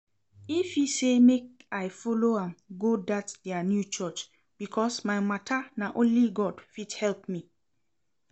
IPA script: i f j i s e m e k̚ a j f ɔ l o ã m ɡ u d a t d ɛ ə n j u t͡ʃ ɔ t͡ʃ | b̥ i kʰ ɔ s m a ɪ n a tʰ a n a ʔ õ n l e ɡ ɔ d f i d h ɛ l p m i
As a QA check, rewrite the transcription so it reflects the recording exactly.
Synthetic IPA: i f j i s e m e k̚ a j f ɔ l o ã m ɡ o d a t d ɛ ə n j u t͡ʃ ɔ t͡ʃ | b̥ i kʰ ɔ s m a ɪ m a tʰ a n a ʔ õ n l i ɡ ɔ d f i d h ɛ l p m i